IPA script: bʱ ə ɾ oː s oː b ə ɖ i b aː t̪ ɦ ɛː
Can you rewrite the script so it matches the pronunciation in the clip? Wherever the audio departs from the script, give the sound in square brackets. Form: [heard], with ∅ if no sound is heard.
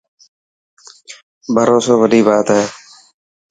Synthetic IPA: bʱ ə ɾ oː s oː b ə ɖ [iː] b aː t̪ ɦ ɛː